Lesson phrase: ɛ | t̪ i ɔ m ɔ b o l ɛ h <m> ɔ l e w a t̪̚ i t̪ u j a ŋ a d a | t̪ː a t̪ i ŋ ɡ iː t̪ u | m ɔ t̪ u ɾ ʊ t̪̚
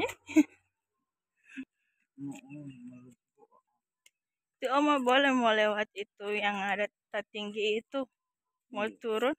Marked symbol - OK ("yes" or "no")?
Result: yes